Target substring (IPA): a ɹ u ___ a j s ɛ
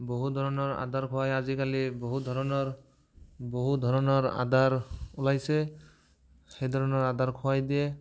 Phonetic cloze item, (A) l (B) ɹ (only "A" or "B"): A